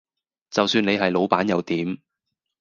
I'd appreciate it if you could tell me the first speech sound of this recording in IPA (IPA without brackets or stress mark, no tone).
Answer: t͡s